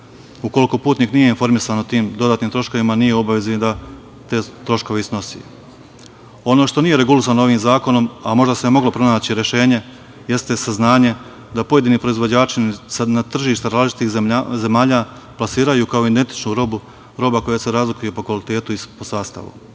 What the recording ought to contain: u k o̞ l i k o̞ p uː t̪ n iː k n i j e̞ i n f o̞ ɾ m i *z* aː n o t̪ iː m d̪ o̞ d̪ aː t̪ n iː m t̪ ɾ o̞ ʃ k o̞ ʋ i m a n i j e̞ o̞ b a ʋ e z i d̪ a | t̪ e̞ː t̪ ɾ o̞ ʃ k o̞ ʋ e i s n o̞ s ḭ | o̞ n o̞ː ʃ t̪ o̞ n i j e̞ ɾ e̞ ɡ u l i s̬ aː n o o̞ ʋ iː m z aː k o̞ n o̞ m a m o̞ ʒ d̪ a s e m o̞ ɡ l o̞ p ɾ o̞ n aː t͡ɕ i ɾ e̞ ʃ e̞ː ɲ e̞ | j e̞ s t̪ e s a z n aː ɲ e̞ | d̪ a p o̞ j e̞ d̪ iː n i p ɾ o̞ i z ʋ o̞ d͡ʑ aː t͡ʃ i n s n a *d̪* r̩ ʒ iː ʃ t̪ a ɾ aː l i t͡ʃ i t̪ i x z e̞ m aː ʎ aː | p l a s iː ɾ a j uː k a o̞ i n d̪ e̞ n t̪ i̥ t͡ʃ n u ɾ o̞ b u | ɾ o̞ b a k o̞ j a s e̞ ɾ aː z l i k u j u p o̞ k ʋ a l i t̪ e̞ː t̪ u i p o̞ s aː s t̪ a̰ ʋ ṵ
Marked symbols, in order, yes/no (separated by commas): no, no